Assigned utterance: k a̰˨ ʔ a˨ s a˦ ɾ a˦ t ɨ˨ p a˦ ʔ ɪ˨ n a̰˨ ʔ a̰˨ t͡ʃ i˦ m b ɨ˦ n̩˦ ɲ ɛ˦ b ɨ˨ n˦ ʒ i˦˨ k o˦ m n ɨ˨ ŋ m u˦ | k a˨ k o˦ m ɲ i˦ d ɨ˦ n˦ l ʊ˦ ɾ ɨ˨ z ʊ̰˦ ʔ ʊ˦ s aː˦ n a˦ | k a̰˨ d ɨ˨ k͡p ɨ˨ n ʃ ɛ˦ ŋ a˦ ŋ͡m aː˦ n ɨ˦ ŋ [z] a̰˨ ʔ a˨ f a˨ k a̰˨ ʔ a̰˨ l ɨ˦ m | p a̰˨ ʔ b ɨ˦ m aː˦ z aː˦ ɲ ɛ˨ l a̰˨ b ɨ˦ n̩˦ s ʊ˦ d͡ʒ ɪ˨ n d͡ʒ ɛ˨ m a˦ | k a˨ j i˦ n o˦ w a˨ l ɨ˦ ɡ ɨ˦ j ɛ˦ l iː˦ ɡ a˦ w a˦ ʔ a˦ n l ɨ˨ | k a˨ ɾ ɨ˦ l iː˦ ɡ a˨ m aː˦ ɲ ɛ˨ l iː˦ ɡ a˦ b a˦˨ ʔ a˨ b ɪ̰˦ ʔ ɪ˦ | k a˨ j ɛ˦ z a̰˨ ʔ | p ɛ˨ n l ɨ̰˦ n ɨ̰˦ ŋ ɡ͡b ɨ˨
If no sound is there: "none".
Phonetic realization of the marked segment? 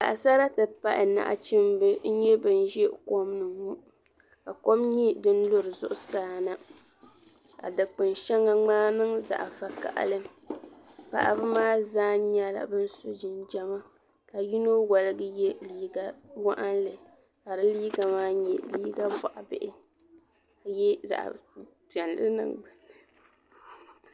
z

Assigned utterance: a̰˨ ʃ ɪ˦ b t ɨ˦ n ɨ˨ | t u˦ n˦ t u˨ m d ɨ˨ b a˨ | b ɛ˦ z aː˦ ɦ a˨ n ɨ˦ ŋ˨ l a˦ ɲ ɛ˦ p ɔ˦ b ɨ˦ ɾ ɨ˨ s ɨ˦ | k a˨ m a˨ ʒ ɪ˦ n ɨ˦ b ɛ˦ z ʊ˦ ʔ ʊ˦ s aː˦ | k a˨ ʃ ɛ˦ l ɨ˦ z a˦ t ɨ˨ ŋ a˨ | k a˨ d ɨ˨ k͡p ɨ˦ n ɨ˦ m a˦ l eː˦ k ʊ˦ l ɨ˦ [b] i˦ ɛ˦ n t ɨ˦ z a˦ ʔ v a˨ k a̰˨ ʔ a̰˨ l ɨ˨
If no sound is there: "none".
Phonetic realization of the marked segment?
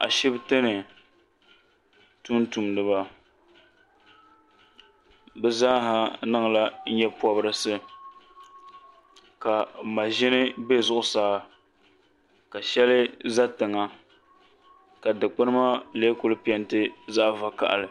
p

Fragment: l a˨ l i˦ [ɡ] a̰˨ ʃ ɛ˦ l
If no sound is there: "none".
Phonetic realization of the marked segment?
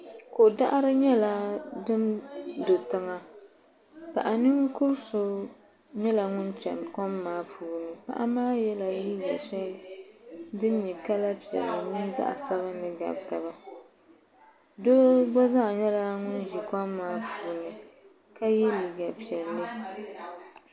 ɡ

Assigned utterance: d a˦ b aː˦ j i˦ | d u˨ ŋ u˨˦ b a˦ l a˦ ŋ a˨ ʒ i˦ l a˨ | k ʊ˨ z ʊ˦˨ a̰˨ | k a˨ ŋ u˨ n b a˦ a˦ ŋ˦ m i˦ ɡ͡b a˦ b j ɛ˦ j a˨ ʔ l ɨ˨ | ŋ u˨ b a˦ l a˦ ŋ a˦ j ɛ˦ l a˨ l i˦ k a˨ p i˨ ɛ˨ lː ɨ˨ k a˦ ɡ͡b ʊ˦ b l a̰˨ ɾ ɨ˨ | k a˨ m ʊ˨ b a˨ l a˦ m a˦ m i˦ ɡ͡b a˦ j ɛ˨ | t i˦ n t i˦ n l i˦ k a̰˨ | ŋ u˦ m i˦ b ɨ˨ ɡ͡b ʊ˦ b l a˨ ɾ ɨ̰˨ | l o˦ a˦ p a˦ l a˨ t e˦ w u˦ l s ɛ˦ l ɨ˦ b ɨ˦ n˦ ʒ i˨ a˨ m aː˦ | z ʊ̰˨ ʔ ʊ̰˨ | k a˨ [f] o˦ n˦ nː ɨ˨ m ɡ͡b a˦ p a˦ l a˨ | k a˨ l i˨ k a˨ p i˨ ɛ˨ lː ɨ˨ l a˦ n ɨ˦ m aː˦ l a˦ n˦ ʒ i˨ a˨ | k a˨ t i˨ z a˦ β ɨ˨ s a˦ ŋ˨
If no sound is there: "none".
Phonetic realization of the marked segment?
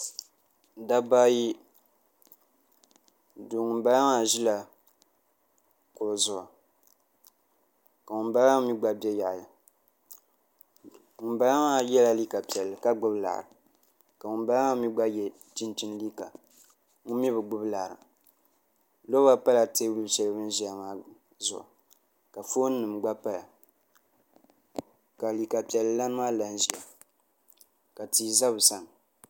f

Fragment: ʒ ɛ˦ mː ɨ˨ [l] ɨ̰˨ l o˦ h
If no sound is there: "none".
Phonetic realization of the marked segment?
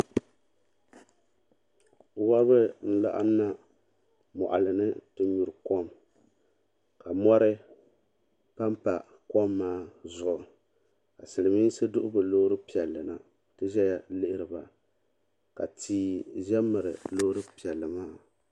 ɾ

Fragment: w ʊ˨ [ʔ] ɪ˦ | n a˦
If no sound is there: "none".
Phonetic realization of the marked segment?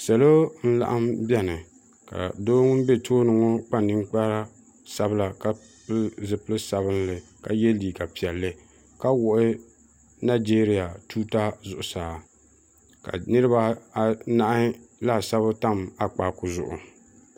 ʔ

